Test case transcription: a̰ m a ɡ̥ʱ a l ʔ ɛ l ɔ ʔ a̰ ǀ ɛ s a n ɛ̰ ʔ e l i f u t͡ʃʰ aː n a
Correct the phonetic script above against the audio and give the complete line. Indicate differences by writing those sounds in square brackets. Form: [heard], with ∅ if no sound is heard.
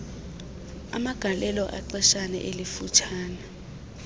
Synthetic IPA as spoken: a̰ m a ɡ̥ʱ a l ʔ ɛ l ɔ ʔ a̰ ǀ ɛ [ʃ] a n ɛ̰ ʔ e l i f u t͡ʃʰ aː n a